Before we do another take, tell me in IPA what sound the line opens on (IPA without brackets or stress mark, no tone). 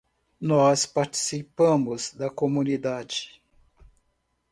n